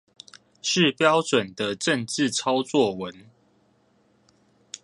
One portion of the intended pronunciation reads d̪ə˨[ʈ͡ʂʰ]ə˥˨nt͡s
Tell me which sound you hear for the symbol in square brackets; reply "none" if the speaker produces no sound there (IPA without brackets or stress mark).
ʈ͡ʂ